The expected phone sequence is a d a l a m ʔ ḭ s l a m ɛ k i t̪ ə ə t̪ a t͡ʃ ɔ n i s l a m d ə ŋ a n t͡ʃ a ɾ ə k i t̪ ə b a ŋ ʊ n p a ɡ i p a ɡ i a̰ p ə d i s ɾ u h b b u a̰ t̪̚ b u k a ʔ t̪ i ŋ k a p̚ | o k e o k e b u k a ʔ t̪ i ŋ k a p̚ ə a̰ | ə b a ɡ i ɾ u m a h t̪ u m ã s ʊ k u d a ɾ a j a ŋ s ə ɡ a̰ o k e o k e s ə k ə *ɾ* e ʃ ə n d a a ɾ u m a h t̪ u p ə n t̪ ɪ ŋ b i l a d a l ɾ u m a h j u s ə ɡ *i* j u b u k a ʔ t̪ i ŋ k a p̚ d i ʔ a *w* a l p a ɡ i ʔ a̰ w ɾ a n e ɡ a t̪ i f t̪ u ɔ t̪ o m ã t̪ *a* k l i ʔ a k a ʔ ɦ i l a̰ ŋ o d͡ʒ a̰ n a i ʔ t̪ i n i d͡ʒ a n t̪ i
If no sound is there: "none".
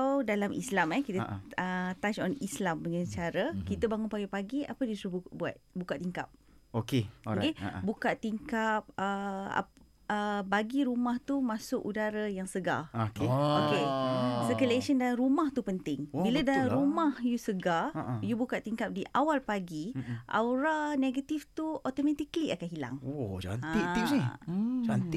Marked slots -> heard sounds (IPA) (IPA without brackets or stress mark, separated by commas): l, a, w, i